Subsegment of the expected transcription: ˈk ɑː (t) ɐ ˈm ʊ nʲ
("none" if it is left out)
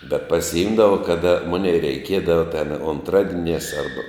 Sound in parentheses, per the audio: d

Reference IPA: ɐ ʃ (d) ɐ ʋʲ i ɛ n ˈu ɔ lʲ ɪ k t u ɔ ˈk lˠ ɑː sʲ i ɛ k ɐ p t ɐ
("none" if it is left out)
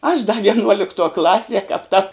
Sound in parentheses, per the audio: d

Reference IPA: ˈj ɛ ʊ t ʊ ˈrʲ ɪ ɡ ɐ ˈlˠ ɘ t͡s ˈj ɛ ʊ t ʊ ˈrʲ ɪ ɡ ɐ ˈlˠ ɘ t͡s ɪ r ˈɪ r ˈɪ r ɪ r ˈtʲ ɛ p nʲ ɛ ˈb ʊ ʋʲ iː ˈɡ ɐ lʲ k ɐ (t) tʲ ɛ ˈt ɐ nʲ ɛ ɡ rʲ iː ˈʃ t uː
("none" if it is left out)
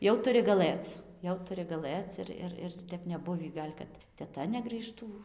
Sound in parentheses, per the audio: t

